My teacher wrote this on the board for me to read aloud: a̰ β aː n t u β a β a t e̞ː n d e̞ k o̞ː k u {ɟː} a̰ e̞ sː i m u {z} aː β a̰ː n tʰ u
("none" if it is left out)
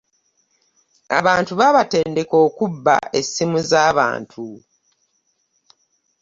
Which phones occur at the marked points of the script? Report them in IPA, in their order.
bː, z

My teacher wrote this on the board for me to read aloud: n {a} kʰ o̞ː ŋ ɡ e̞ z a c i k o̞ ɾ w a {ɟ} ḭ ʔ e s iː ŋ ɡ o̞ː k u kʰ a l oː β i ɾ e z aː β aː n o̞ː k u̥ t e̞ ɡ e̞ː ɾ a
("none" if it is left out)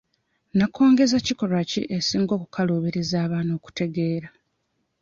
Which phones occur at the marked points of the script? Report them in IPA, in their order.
a, c

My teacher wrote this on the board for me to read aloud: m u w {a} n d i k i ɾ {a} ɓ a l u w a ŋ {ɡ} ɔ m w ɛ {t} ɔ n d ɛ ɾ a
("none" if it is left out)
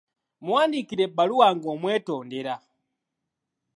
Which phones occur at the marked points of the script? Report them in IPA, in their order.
a, ɛ, ɡ, t

